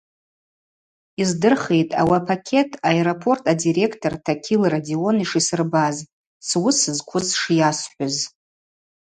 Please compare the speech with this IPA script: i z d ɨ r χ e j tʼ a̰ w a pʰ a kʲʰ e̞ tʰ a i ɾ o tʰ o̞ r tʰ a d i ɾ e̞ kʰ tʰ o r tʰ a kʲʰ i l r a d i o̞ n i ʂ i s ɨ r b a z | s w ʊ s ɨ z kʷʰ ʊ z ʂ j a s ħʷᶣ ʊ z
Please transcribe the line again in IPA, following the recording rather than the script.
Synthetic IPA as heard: i z d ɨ r χ e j tʼ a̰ w a pʰ a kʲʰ e̞ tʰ a e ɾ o pʰ o̞ r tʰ a d i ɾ e̞ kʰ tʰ o r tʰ a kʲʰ i l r a d i o̞ n i ʂ i s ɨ r b a z | s w ʊ s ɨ z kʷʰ ʊ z ʂ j a s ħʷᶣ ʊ z